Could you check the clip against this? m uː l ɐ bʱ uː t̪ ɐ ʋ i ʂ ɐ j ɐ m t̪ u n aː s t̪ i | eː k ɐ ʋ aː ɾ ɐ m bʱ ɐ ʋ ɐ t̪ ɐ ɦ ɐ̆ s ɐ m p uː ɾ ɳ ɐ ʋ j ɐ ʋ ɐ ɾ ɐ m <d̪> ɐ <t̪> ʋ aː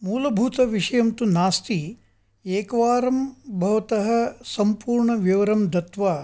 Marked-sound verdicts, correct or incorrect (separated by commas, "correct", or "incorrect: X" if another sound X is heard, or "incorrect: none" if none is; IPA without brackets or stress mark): correct, correct